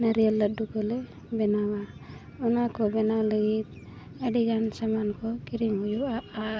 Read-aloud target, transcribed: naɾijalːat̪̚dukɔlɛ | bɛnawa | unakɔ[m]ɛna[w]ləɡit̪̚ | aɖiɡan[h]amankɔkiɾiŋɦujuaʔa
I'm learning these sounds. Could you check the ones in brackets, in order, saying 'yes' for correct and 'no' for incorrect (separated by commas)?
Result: no, yes, no